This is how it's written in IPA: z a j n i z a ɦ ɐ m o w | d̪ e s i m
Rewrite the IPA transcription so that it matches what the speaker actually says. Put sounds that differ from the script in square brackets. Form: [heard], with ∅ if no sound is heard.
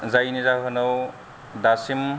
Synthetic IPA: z a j n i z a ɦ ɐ [n] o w | d̪ [a] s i m